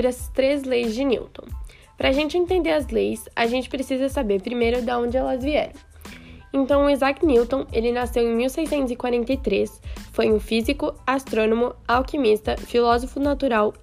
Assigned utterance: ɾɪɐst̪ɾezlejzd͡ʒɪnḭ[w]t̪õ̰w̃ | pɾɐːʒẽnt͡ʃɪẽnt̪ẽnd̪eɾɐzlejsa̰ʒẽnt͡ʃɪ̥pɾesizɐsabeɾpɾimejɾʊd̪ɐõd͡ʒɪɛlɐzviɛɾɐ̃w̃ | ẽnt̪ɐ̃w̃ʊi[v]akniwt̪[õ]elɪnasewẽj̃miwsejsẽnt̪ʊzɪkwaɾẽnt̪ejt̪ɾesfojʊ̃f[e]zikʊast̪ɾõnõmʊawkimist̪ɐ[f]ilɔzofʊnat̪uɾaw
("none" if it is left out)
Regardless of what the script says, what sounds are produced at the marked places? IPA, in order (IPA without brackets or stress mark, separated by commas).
w, z, õ, i, f